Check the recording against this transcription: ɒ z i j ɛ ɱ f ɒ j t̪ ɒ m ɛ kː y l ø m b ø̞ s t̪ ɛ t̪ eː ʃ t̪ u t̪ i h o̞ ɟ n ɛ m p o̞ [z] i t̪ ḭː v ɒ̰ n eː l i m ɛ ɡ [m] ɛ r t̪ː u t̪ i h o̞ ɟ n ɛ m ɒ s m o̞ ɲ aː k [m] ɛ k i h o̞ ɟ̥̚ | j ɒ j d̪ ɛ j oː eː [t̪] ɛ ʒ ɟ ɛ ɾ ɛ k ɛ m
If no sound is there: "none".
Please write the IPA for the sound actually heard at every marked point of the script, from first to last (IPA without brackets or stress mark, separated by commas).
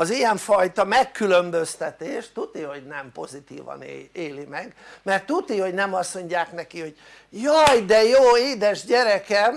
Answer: z, m, n, d̪